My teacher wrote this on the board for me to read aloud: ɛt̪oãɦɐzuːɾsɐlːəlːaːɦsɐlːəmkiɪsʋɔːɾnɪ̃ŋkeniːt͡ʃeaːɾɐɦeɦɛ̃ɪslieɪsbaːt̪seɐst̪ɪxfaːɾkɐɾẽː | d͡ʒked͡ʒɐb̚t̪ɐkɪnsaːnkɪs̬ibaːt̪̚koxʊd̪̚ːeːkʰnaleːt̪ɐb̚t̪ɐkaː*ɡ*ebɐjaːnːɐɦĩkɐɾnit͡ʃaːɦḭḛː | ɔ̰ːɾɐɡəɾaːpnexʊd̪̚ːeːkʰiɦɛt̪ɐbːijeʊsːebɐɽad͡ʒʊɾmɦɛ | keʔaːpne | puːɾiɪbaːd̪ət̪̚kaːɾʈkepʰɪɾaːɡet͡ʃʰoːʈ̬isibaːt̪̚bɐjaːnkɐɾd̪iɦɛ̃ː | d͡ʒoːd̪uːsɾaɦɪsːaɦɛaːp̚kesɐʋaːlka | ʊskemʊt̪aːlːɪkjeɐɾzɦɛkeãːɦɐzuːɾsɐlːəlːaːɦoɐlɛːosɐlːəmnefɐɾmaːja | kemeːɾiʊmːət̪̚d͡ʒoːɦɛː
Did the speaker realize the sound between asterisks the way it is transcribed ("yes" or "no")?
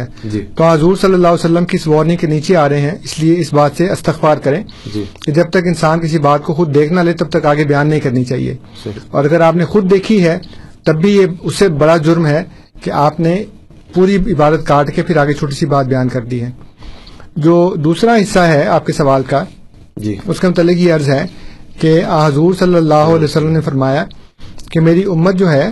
yes